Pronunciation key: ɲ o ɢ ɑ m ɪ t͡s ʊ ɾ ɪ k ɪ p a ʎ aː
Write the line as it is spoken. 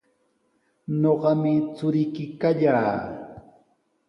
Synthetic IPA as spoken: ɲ o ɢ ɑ m ɪ t͡s ʊ ɾ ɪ k ɪ k a ʎ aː